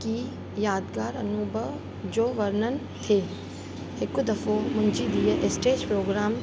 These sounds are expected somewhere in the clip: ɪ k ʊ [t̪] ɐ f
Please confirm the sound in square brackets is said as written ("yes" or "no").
no